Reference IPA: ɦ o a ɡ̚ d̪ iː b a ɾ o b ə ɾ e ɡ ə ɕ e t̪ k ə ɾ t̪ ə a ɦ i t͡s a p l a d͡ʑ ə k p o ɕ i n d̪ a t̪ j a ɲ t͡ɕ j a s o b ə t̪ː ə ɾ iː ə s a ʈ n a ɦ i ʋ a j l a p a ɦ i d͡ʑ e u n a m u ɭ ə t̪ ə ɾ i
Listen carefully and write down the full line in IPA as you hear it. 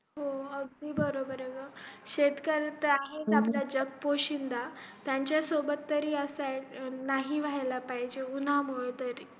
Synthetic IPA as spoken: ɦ o ə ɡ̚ d̪ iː b ə ɾ o b ə ɾ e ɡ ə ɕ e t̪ k ə ɾ t̪ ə a ɦ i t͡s a p l a d͡ʑ ə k p o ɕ i n d̪ a t̪ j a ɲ t͡ɕ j a s o b ə t̪ː ə ɾ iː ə s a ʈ n a ɦ i ʋ a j l a p a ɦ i d͡ʑ e u n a m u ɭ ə t̪ ə ɾ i